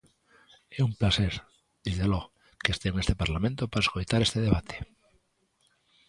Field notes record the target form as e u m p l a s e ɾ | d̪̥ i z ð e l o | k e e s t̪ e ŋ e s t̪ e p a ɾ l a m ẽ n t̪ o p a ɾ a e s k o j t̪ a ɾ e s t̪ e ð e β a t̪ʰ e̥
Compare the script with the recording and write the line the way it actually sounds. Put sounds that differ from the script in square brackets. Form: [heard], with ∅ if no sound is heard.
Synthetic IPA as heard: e u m p l a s e ɾ | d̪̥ i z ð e l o | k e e s t̪ e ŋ e s t̪ e p a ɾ l a m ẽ n t̪ o p a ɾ a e s k o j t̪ a ɾ e s t̪ e ð e β a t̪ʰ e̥